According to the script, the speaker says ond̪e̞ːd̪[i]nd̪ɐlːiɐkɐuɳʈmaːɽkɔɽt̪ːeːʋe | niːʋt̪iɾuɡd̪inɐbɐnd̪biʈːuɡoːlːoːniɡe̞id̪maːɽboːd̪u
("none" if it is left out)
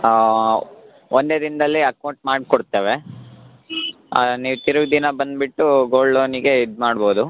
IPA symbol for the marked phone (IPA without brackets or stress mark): i